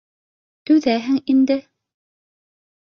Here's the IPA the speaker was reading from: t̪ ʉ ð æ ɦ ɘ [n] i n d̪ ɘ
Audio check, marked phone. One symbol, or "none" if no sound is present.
ŋ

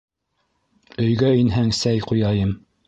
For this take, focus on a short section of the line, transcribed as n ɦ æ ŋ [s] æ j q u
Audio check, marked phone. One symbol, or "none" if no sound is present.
s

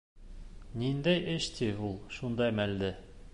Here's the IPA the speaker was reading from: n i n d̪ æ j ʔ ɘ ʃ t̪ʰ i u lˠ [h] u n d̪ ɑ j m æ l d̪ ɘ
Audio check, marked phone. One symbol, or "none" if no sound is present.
ʃ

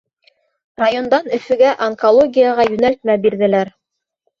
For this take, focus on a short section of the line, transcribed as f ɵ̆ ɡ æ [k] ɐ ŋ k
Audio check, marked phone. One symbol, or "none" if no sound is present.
ʔ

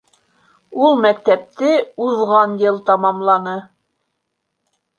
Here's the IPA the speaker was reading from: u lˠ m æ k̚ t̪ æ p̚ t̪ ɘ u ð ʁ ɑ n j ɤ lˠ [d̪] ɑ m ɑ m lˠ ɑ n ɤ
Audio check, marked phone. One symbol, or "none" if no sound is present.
t̪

